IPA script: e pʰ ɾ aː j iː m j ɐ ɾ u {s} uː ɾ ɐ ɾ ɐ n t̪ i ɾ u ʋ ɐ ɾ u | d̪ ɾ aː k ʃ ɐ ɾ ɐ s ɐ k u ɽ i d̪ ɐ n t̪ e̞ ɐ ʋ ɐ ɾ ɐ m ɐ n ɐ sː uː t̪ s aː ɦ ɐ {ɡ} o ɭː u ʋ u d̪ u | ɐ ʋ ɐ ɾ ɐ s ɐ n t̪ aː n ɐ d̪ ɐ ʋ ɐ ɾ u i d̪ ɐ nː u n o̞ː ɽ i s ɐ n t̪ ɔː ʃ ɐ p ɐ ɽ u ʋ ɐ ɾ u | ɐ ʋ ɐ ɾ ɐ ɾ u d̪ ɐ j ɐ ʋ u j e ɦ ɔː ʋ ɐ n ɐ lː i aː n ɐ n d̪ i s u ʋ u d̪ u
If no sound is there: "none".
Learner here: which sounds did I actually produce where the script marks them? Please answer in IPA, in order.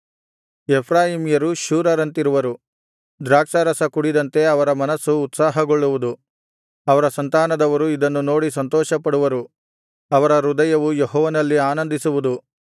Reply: ʃ, ɡ

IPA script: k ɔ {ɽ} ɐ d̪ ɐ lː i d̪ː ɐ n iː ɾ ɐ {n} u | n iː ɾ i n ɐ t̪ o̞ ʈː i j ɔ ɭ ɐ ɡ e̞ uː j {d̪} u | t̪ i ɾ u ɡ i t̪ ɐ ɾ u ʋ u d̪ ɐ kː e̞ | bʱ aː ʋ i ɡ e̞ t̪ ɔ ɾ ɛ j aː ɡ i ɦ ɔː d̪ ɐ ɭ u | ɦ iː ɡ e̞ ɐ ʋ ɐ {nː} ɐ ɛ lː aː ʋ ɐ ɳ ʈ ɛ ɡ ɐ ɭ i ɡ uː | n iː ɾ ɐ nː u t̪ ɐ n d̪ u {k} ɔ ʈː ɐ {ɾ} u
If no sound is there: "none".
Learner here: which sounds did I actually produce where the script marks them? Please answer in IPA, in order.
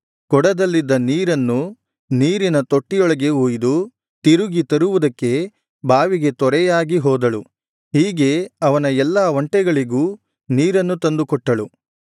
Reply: ɽ, nː, d̪, n, k, ɭ

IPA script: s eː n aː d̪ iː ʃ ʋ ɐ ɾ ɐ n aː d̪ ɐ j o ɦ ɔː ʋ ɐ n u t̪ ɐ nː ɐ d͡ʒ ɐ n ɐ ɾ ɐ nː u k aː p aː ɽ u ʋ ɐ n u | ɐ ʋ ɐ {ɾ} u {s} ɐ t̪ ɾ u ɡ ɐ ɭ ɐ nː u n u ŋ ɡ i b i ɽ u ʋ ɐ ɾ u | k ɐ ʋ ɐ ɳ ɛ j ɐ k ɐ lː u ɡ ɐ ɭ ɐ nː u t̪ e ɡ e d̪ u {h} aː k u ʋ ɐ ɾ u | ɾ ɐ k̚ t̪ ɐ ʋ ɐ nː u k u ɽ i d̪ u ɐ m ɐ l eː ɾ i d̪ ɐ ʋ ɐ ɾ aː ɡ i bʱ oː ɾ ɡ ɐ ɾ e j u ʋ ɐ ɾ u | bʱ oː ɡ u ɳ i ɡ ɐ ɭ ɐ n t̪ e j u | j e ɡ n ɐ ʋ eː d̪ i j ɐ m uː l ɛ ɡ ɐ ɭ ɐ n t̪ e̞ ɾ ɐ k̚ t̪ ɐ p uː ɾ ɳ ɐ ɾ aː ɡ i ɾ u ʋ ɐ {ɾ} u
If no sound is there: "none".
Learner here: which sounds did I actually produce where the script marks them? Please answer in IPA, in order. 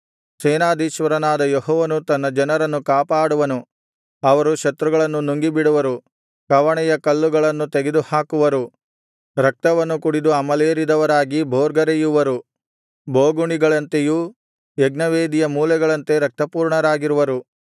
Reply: ɾ, ʃ, h, ɾ

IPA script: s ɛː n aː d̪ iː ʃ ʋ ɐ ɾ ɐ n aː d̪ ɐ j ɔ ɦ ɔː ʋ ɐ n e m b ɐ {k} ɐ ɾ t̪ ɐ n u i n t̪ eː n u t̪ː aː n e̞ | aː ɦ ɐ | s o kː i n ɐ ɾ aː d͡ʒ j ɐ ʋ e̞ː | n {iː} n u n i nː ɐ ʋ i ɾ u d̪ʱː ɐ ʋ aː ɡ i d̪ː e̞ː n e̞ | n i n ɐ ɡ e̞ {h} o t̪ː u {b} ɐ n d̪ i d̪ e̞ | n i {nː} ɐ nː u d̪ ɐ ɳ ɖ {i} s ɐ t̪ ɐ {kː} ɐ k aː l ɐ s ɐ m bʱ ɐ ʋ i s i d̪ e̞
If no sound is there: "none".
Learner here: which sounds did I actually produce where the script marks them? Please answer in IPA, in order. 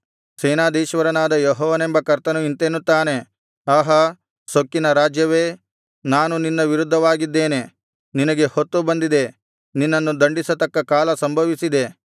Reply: k, aː, h, b, nː, i, kː

